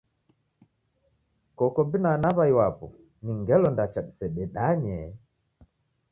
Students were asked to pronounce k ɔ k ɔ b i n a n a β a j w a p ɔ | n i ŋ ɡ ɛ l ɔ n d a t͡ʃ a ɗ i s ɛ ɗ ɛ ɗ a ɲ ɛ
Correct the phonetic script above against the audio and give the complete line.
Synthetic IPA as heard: k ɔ k ɔ b i n a n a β a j w a p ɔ | n i ŋ ɡ ɛ l ɔ n d a t͡ʃ a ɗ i s ɛ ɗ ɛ ɗ a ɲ ɛ